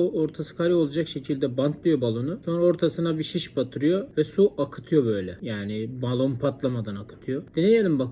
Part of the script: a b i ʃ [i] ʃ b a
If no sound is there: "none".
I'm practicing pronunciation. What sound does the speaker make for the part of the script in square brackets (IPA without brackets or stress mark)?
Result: i